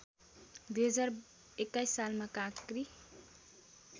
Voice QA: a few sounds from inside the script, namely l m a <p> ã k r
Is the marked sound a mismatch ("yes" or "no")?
yes